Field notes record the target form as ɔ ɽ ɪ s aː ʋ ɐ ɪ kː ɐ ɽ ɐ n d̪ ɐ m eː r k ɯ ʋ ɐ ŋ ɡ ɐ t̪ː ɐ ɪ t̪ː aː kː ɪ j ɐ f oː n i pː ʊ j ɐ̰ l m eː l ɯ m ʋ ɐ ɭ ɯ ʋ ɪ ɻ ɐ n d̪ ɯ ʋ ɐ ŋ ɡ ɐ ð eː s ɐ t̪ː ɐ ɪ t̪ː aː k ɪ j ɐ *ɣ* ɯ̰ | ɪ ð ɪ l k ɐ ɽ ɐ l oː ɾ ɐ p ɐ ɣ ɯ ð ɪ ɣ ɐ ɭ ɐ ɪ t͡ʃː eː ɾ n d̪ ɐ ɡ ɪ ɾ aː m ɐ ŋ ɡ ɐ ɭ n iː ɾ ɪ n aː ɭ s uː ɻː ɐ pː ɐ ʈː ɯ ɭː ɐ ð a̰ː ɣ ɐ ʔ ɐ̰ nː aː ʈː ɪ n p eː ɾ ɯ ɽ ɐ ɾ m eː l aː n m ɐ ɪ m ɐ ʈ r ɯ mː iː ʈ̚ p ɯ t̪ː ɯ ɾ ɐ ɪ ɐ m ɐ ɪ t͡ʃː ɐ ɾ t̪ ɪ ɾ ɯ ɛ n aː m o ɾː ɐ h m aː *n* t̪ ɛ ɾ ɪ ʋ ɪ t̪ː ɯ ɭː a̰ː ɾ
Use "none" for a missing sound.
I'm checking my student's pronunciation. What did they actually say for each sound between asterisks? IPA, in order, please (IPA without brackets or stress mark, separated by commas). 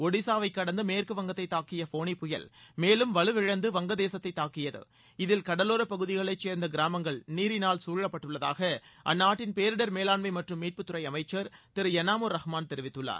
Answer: ð, n